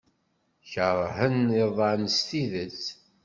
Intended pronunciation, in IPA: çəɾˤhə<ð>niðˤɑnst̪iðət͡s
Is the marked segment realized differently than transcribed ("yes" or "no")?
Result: yes